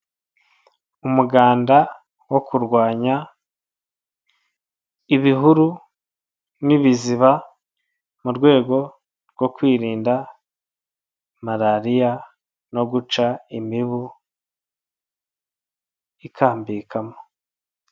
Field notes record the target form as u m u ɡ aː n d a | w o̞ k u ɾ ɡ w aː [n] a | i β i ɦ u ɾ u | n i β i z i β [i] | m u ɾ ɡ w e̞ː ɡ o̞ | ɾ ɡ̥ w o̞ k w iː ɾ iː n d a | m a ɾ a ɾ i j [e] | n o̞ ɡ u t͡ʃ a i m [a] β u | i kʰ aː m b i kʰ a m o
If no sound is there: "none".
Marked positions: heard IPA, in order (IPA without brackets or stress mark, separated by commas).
ɲ, a, a, i